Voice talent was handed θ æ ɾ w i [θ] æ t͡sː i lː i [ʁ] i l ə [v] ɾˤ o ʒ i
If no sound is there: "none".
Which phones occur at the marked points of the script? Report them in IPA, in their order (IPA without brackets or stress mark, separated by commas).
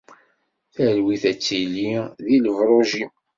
θ, ð, v